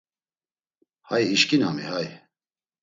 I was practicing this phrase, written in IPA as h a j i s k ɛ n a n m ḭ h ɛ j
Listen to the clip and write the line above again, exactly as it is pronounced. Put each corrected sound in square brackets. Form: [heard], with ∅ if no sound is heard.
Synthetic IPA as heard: h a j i [ʃ] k [i] n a [∅] m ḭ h [a] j

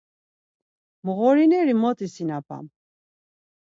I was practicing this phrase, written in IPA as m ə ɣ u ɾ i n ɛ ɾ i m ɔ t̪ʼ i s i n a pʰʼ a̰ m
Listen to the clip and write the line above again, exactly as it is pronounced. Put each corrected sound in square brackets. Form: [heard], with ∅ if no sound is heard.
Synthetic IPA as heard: m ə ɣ [ɔ] ɾ i n ɛ ɾ i m ɔ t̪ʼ i s i n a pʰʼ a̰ m

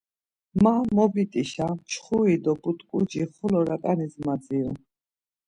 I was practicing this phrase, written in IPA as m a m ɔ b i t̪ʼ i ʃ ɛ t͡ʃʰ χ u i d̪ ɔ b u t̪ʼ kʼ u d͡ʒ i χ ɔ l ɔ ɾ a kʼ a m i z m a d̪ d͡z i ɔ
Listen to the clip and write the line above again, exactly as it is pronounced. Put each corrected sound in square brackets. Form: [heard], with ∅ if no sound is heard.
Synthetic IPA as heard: m a m ɔ b i t̪ʼ i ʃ [a] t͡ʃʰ χ u i d̪ ɔ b u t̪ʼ kʼ u d͡ʒ i χ ɔ l ɔ ɾ a kʼ a [n] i z m a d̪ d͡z i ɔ

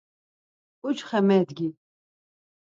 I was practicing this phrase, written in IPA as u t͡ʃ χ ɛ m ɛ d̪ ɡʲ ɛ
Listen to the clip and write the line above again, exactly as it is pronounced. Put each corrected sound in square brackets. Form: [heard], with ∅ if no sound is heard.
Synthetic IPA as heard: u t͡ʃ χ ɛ m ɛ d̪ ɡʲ [i]

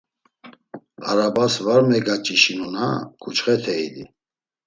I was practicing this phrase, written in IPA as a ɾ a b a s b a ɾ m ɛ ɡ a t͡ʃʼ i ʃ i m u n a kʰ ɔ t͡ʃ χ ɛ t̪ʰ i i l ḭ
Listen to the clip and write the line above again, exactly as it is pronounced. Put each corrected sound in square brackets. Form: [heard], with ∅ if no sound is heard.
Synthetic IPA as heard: a ɾ a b a s [v] a ɾ m ɛ ɡ a t͡ʃʼ i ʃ i [n] u n a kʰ [u] t͡ʃ χ ɛ t̪ʰ [ɛ] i l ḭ

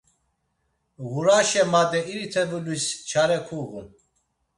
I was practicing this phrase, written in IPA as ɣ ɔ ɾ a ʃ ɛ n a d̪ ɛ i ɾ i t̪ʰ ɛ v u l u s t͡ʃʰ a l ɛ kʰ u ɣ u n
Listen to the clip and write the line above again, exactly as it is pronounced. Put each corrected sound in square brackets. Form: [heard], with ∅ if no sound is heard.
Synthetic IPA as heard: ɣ [u] ɾ a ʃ ɛ [m] a d̪ ɛ i ɾ i t̪ʰ ɛ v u l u s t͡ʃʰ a [ɾ] ɛ kʰ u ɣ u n

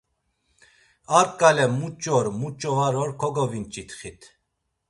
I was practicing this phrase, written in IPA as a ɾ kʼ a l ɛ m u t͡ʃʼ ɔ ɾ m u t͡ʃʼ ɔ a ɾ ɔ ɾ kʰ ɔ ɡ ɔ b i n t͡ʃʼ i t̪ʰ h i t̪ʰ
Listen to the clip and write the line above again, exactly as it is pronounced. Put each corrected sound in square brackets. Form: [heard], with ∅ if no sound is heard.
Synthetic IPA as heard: a ɾ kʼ a l ɛ m u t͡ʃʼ ɔ ɾ m u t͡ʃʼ ɔ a ɾ ɔ ɾ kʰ ɔ ɡ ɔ [v] i n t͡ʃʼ i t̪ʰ [χ] i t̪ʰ

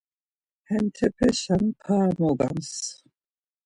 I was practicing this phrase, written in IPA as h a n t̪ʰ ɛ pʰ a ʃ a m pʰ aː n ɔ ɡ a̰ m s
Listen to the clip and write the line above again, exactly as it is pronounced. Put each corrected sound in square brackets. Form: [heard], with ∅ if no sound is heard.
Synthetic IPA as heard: h [ɛ] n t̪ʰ ɛ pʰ [ɛ] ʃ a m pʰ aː [m] ɔ ɡ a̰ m s

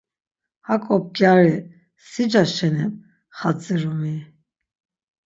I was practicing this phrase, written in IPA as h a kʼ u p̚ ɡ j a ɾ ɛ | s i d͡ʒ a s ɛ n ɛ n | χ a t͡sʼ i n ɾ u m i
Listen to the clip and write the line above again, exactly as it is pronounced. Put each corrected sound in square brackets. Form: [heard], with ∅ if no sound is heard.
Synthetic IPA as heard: h a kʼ [ɔ] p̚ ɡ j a ɾ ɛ | s i d͡ʒ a [ʃ] ɛ n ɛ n | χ a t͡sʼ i [∅] ɾ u m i

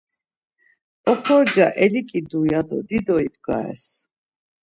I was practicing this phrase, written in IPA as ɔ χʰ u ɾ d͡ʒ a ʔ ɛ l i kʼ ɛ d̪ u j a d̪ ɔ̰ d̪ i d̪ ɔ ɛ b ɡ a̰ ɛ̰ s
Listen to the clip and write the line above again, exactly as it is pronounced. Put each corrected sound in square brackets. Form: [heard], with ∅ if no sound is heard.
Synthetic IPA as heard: ɔ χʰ [ɔ] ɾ d͡ʒ a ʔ ɛ l i kʼ [i] d̪ u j a d̪ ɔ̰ d̪ i d̪ ɔ [i] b ɡ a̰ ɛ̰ s

